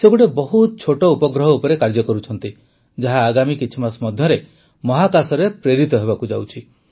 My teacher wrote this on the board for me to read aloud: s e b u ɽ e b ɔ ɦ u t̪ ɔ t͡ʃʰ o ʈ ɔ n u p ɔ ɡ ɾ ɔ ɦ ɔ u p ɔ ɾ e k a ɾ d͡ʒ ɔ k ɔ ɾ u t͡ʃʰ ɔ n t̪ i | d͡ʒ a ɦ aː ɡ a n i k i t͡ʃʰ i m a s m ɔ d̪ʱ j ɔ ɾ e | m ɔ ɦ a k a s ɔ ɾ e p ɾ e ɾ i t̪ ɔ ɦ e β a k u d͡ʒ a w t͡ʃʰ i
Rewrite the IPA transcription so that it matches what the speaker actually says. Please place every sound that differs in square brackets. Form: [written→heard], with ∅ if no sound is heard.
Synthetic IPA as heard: s e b u ɽ e b ɔ ɦ u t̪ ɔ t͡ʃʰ o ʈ ɔ [n→∅] u p ɔ ɡ ɾ ɔ ɦ ɔ u p ɔ ɾ e k a ɾ d͡ʒ ɔ k ɔ ɾ u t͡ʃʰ ɔ n t̪ i | d͡ʒ a ɦ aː ɡ a [n→m] i k i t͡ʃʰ i m a s m ɔ d̪ʱ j ɔ ɾ e | m ɔ ɦ a k a s ɔ ɾ e p ɾ e ɾ i t̪ ɔ ɦ e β a k u d͡ʒ a w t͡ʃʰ i